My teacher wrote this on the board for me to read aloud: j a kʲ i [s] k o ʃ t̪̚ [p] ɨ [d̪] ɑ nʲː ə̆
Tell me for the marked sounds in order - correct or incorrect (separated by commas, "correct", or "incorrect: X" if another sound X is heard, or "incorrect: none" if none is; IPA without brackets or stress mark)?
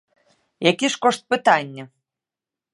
incorrect: ʃ, correct, incorrect: t̪